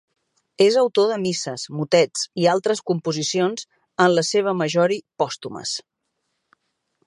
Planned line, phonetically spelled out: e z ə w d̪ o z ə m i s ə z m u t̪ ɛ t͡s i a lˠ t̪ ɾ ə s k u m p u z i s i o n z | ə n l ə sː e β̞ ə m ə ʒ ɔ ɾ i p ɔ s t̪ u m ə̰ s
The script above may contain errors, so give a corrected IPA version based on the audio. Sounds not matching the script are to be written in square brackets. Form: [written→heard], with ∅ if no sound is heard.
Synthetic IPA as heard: e z ə w [d̪→t̪] o [z→ð] ə m i s ə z m u t̪ ɛ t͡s i a lˠ t̪ ɾ ə s k u m p u z i s i o n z | ə n l ə [sː→s] e β̞ ə m ə ʒ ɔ ɾ i p ɔ s t̪ u m ə̰ s

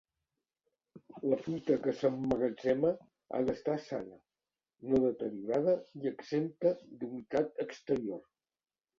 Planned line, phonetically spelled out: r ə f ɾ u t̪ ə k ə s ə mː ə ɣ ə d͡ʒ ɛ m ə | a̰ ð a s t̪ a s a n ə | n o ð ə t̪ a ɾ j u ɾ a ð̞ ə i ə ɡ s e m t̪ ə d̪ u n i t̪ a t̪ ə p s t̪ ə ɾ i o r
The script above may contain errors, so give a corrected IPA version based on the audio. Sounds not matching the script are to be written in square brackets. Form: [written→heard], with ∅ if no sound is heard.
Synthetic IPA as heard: [r→l] ə f ɾ u t̪ ə k ə s ə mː ə ɣ ə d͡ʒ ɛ m ə | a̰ ð [a→ə] s t̪ a s a n ə | n o ð ə t̪ [a→ə] ɾ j u ɾ a ð̞ ə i ə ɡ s e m t̪ ə d̪ u n i t̪ a t̪ ə [p→k] s t̪ ə ɾ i o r

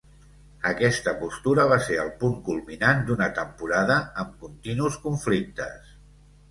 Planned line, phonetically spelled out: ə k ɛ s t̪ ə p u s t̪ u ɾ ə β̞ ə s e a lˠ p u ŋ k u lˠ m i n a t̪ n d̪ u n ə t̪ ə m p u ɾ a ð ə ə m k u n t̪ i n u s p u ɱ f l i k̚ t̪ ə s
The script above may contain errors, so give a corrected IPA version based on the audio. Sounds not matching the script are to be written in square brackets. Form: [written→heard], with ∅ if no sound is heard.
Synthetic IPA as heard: ə k ɛ s t̪ ə p u s t̪ u ɾ ə β̞ [ə→a] s e [a→ə] lˠ p u ŋ k u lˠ m i n a [t̪→∅] n d̪ u n ə t̪ ə m p u ɾ a ð ə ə m k u n t̪ i n u s [p→k] u ɱ f l i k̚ t̪ ə s

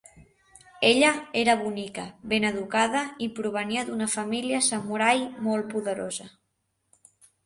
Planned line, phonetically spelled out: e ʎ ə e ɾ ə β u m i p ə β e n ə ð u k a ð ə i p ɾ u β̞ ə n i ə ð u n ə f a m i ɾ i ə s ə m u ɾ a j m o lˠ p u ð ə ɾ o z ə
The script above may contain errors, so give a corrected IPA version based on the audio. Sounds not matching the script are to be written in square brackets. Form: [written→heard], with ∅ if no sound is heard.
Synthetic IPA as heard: e ʎ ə e ɾ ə β u [m→n] i [p→k] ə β e n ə ð u k a ð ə i p ɾ u β̞ ə n i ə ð u n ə f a m i [ɾ→l] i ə s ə m u ɾ a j m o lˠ p u ð ə ɾ o z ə

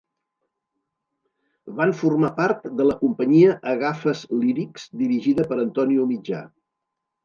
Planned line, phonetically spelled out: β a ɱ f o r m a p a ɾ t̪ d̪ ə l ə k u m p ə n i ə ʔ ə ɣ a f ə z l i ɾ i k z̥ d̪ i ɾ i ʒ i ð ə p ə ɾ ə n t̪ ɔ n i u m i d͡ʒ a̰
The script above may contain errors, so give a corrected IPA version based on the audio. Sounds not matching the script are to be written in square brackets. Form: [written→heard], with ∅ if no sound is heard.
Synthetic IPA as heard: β a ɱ f [o→u] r m a p a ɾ t̪ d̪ ə l ə k u m p ə [n→ɲ] i ə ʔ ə ɣ a f ə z l i ɾ i k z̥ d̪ i ɾ i ʒ i ð ə p ə ɾ ə n t̪ ɔ n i u m i d͡ʒ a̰

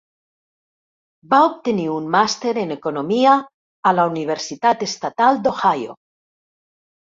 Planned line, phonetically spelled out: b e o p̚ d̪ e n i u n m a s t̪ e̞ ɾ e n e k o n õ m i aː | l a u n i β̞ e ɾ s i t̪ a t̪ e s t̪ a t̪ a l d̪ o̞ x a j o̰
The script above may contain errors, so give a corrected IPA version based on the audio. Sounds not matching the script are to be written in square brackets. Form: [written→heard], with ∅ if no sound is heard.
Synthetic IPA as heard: b [e→a] o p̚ [d̪→t̪] e n i u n m a s t̪ e̞ ɾ e n e k o n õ m i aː | l a u n i β̞ e ɾ s i t̪ a t̪ e s t̪ a t̪ a l d̪ o̞ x a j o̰

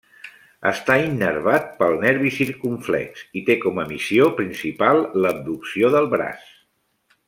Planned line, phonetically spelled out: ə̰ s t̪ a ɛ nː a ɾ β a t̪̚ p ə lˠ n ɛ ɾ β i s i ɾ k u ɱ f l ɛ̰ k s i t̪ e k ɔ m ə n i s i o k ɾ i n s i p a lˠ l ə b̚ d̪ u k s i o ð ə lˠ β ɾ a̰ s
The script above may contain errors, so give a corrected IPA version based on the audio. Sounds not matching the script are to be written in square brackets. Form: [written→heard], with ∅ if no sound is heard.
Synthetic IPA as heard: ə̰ s t̪ a [ɛ→i] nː [a→ə] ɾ β a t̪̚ p ə lˠ n ɛ ɾ β i s i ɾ k u ɱ f l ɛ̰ k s i t̪ e k ɔ m ə [n→m] i s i o [k→p] ɾ i n s i p a lˠ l ə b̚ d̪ u k s i o ð ə lˠ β ɾ a̰ s

